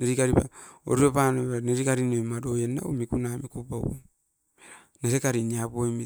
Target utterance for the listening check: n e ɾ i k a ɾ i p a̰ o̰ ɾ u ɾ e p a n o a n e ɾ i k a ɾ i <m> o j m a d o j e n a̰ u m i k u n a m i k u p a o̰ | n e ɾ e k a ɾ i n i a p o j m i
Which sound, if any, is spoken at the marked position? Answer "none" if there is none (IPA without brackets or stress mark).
n